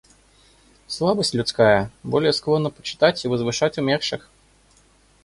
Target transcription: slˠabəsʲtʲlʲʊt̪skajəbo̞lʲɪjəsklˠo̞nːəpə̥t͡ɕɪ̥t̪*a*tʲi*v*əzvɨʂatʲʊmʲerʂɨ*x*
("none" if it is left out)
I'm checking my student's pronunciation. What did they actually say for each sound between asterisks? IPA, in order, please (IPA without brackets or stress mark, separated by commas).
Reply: a, v, x